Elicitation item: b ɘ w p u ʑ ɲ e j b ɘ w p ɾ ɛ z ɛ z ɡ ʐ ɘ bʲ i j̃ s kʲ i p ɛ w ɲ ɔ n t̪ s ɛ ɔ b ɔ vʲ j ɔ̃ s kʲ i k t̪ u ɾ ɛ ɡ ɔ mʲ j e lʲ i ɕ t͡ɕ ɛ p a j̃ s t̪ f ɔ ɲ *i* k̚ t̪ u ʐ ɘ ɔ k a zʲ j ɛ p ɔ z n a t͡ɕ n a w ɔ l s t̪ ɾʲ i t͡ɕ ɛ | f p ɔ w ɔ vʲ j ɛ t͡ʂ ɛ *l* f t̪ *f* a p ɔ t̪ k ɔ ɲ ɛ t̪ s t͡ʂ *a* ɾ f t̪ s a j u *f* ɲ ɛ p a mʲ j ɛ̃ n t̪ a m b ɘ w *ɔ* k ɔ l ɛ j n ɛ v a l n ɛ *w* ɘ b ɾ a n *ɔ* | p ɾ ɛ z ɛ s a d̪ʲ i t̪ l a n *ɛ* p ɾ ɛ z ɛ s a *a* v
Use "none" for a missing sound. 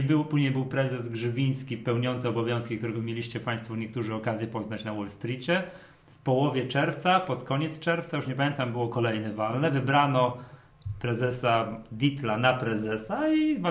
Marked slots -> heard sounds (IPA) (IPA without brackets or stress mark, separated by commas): ɛ, ɾ, s, ɛ, ʂ, ɔ, v, ɔ, a, i